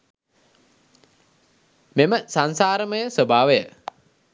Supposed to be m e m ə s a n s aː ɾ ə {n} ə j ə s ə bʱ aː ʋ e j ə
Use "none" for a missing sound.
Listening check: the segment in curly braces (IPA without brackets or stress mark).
m